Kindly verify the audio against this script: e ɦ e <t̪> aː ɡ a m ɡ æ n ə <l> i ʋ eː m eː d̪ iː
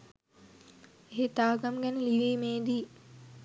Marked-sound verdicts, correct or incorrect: correct, correct

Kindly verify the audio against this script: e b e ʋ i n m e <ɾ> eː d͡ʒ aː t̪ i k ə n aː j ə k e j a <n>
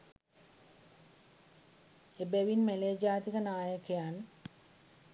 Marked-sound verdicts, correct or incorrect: incorrect: l, correct

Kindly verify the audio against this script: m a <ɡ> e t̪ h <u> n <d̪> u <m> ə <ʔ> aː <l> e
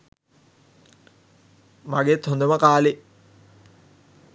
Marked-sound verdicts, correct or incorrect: correct, incorrect: o, correct, correct, incorrect: k, correct

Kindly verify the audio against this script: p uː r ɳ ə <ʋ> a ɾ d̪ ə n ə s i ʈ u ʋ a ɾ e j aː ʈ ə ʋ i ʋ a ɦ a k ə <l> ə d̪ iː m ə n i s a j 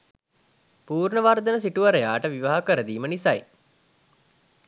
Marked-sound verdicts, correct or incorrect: correct, incorrect: ɾ

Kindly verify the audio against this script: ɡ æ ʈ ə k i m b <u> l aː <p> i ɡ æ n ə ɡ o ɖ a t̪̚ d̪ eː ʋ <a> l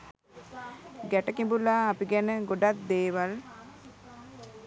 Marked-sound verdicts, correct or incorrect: correct, correct, correct

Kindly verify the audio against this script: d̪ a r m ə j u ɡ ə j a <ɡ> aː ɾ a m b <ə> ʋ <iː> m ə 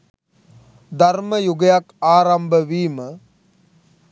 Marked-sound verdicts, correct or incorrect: incorrect: k, correct, correct

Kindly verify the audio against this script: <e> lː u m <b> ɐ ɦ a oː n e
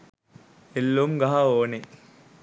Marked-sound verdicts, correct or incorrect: correct, incorrect: ɡ

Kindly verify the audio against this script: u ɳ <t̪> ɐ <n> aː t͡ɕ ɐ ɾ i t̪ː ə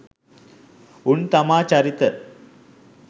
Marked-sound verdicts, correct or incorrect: correct, incorrect: m

